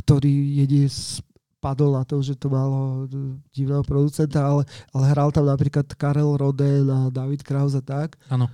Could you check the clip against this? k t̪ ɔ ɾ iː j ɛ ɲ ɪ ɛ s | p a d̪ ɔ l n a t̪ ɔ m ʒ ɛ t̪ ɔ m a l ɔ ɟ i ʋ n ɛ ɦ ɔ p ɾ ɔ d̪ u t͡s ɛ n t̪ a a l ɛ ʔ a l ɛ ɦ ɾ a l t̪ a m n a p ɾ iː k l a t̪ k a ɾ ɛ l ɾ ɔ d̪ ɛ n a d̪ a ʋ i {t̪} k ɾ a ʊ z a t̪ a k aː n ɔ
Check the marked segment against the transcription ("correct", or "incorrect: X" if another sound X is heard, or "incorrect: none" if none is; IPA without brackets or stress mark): correct